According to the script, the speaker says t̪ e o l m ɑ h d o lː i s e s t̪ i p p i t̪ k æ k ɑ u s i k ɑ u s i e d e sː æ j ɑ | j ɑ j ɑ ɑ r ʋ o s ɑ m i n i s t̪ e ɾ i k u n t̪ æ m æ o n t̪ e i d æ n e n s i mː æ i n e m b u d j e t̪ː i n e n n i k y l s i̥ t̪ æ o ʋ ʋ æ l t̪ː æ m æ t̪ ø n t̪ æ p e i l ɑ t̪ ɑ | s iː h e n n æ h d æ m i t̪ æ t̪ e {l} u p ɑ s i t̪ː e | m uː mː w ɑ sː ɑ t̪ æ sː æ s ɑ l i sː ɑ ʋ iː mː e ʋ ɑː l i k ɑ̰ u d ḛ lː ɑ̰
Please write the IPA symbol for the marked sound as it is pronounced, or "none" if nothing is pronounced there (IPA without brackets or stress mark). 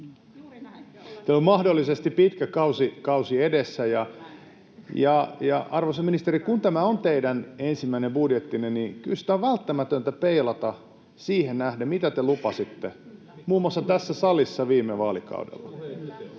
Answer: l